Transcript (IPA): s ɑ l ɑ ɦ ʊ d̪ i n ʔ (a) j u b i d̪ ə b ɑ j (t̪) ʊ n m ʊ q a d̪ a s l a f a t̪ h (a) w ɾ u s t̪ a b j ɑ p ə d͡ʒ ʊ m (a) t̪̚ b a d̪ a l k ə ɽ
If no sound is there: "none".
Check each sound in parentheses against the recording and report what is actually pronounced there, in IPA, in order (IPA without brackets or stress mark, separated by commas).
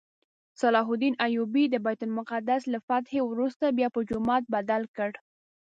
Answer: a, t̪, e, ɑ